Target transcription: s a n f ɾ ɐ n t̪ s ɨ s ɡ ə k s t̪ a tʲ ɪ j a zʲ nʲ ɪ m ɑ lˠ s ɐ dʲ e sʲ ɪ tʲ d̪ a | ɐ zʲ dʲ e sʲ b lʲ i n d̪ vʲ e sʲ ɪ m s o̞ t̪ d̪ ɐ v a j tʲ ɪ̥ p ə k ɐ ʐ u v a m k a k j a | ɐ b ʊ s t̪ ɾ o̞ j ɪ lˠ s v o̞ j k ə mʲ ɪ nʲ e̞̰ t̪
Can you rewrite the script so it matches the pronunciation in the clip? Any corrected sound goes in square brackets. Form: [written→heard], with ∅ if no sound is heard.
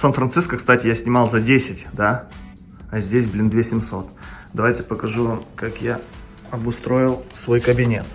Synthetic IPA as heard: s a n f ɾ ɐ n t̪ s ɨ s [ɡ→k] ə k s t̪ a tʲ ɪ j a [zʲ→sʲ] nʲ ɪ m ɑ lˠ [s→z] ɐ dʲ e sʲ ɪ tʲ d̪ a | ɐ zʲ dʲ e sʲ b lʲ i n d̪ vʲ e sʲ ɪ m s o̞ t̪ d̪ ɐ v a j tʲ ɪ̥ p ə k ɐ ʐ u v a m k a k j a | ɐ b ʊ s t̪ ɾ o̞ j ɪ lˠ s v o̞ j k ə [mʲ→bʲ] ɪ nʲ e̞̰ t̪